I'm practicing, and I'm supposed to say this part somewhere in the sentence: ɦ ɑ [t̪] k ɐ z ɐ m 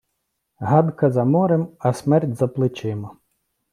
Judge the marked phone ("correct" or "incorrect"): incorrect